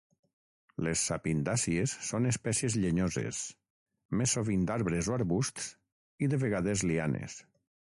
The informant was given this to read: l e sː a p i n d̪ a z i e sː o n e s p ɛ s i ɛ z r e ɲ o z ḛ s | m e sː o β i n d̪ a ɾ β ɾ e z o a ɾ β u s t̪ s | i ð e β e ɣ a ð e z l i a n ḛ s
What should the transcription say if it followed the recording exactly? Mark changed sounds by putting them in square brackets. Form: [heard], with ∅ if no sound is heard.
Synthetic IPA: l e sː a p i n d̪ a [s] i e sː o n e s p ɛ s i [e] z [ʎ] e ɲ o z ḛ s | m e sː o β i n d̪ a ɾ β ɾ e z o a ɾ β u s t̪ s | i ð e β e ɣ a ð e z l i a n ḛ s